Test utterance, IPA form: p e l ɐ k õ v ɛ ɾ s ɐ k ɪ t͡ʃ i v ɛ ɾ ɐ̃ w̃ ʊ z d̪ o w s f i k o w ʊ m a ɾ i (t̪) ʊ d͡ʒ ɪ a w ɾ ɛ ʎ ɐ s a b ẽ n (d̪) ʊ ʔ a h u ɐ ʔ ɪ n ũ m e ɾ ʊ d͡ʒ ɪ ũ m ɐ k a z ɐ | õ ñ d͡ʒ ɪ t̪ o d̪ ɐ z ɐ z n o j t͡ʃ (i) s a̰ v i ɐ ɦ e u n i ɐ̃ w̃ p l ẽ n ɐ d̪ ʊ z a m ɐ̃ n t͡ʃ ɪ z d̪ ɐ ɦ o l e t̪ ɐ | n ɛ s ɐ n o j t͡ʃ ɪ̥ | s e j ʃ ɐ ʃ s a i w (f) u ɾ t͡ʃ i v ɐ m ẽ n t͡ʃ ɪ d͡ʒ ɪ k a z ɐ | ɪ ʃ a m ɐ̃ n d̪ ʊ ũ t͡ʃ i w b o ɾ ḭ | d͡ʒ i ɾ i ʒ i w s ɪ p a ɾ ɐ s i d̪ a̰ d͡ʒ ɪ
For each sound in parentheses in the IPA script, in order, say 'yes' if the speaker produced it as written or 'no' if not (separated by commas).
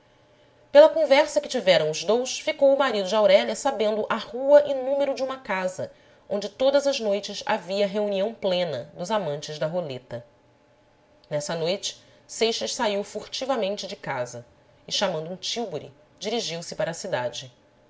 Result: no, yes, no, yes